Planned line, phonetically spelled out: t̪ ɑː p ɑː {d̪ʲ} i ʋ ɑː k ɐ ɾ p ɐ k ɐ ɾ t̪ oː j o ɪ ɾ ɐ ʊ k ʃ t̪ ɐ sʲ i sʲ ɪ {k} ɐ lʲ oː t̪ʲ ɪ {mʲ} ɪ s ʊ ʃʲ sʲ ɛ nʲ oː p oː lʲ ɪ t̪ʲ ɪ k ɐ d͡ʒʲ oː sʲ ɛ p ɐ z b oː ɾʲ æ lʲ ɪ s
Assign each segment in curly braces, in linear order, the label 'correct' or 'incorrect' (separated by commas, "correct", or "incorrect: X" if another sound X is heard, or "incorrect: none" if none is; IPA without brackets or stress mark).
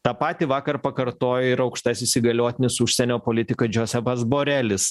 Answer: incorrect: t̪ʲ, incorrect: ɡ, incorrect: nʲ